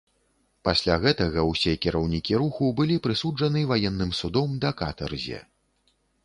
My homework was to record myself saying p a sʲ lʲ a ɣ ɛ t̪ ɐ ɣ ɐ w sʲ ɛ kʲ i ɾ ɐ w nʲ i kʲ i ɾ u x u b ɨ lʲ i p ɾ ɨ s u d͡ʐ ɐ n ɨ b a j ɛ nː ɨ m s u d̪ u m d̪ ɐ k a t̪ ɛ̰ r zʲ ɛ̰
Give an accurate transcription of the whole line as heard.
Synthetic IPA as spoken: p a sʲ lʲ a ɣ ɛ t̪ ɐ ɣ ɐ w sʲ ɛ kʲ i ɾ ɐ w nʲ i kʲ i ɾ u x u b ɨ lʲ i p ɾ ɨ s u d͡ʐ ɐ n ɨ v a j ɛ nː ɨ m s u d̪ ɔ m d̪ ɐ k a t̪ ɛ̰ r zʲ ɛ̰